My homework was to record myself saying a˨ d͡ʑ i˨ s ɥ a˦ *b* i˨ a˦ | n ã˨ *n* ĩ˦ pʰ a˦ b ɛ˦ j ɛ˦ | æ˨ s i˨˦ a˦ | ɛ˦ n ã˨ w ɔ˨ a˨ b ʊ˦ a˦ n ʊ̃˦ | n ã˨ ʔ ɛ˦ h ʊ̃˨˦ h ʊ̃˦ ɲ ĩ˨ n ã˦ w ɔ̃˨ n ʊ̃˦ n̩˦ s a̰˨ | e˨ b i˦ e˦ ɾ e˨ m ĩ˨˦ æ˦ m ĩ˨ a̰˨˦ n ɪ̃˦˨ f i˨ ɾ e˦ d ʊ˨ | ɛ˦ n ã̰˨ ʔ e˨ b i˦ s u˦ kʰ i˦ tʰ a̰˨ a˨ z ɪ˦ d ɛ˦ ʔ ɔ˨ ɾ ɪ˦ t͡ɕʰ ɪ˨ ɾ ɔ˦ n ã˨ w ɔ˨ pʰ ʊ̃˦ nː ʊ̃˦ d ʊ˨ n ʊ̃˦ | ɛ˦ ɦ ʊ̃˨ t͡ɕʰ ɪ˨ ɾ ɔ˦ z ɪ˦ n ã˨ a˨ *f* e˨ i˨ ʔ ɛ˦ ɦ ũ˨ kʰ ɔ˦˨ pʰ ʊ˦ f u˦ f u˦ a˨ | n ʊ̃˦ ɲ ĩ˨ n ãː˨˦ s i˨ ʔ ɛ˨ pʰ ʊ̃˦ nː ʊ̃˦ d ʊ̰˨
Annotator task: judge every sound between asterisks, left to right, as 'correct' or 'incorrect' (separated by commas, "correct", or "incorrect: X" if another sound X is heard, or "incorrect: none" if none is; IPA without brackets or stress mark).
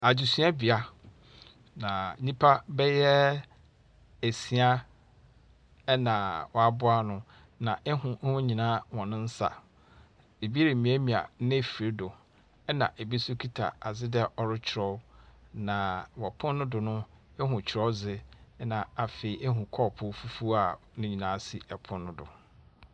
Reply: correct, correct, correct